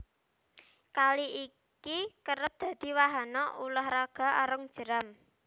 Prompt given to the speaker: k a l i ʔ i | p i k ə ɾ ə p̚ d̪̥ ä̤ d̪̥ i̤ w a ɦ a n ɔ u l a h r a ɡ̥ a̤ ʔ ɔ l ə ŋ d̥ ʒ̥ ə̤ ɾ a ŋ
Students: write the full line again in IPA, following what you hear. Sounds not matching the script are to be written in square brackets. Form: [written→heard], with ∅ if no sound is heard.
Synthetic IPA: k a l i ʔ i | [p→k] i k ə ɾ ə p̚ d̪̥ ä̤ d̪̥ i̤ w a ɦ a n ɔ u l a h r a ɡ̥ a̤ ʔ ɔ [l→ɾ] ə ŋ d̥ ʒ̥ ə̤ ɾ a [ŋ→m]